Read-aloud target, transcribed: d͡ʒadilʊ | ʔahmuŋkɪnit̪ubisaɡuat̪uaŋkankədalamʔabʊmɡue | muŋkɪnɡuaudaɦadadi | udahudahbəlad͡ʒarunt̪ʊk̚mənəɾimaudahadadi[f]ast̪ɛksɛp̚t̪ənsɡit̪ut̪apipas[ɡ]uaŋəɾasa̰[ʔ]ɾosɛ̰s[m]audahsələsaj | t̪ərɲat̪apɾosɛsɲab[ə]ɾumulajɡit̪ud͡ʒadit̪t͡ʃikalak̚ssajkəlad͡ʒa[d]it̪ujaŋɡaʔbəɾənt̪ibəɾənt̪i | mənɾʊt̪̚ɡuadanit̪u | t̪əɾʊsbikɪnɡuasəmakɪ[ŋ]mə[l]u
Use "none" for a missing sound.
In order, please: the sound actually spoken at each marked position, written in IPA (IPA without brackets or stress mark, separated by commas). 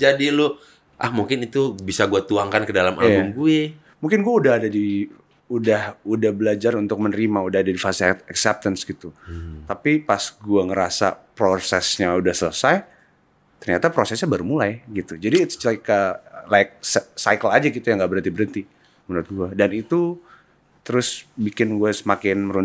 f, ɡ, p, ɲ, a, ɡ, n, ɾ